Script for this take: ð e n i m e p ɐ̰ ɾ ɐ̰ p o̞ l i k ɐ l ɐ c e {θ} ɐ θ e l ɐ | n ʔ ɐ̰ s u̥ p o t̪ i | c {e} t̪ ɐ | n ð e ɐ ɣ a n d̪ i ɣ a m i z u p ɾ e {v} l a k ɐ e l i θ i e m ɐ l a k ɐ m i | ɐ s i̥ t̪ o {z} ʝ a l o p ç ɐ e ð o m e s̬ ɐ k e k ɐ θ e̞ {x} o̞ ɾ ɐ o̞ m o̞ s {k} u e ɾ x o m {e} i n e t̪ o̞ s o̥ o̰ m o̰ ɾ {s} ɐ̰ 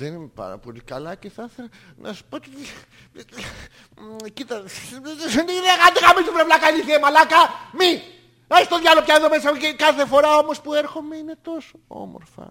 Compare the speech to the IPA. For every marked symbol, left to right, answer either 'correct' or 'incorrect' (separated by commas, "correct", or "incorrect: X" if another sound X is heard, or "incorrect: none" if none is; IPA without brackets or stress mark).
correct, incorrect: i, correct, incorrect: ð, incorrect: f, incorrect: p, correct, incorrect: f